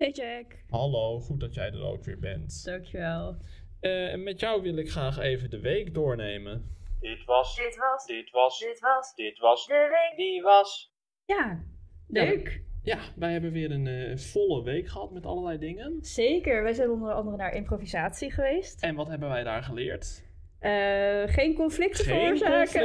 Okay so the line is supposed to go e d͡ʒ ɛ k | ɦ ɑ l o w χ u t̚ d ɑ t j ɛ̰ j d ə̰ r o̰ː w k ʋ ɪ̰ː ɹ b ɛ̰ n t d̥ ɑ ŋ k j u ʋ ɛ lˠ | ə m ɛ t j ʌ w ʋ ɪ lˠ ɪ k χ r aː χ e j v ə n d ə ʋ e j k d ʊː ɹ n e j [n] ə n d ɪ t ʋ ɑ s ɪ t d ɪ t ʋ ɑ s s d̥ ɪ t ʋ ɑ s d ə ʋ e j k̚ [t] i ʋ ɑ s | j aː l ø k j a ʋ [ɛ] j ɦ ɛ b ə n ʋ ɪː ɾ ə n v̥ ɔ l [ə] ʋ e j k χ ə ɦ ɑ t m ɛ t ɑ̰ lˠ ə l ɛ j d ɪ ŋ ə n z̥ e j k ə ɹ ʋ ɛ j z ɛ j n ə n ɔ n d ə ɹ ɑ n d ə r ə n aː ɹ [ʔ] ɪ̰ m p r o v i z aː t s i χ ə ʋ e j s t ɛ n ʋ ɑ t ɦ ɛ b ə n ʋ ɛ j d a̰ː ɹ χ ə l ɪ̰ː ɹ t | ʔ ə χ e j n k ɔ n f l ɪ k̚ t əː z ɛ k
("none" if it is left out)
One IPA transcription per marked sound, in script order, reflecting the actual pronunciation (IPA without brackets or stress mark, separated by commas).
m, d, ɛ, ə, ʔ